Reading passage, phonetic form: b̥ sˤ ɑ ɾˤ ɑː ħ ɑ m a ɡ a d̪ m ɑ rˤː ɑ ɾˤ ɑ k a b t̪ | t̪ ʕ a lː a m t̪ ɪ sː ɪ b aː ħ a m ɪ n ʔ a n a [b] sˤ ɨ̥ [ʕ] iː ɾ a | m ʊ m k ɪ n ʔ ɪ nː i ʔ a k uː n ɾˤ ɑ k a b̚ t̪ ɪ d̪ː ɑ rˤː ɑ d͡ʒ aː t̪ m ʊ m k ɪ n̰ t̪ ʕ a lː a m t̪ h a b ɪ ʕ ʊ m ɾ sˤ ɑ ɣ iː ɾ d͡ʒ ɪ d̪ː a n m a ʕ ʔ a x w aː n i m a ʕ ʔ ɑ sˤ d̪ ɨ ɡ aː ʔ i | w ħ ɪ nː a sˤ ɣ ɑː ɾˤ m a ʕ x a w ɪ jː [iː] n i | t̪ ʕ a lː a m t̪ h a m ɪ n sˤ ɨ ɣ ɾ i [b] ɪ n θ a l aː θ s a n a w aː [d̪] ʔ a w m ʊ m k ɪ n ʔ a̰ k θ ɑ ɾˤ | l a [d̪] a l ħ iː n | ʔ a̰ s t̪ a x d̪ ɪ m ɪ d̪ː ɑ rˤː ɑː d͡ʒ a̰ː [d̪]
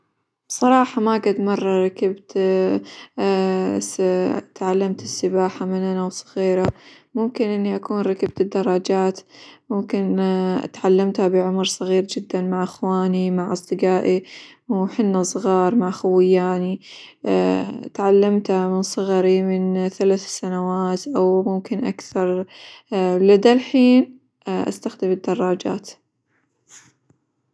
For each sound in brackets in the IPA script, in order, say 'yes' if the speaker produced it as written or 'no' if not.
no, no, no, no, no, yes, no

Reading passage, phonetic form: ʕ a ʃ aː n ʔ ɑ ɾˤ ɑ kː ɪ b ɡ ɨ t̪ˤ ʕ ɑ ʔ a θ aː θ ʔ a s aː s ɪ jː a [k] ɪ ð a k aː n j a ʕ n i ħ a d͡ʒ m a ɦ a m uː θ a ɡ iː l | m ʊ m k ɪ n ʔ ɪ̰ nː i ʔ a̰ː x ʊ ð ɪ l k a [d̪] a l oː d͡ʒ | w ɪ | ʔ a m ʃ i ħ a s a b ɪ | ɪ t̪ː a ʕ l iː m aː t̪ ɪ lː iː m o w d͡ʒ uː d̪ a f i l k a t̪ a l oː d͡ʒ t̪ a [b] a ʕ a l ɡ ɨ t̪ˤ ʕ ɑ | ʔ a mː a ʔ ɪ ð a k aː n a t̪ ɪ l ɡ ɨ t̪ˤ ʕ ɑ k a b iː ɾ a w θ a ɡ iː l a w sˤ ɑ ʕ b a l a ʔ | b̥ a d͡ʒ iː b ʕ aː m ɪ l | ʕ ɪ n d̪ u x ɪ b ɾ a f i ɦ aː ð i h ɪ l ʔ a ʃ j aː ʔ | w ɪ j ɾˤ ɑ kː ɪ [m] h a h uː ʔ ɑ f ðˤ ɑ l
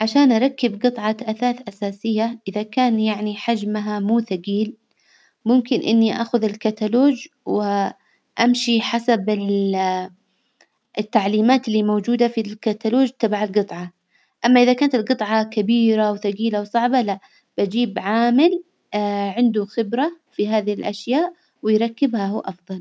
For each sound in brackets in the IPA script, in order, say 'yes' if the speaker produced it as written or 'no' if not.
no, no, yes, no

